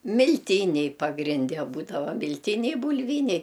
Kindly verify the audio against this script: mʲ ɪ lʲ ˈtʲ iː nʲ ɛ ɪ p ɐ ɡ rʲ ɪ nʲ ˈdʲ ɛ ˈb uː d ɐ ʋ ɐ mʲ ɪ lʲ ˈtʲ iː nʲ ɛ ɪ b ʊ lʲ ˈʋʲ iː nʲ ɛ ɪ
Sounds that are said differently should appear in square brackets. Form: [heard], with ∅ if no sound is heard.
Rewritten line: mʲ ɪ lʲ ˈtʲ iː nʲ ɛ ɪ p ɐ ɡ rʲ ɪ nʲ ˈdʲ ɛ ˈb uː d ɐ ʋ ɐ mʲ ɪ lʲ ˈtʲ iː nʲ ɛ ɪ b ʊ lʲ ˈʋʲ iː nʲ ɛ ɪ